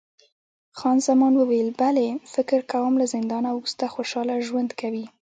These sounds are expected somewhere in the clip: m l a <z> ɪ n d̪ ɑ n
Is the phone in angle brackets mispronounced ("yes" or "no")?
no